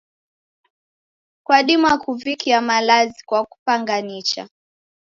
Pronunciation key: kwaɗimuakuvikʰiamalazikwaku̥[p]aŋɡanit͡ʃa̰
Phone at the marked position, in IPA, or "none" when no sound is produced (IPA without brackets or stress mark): p